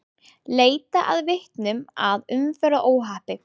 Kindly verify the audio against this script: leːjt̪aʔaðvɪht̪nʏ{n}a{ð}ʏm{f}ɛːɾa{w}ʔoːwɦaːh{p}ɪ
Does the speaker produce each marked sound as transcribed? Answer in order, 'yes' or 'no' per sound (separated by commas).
no, yes, yes, no, yes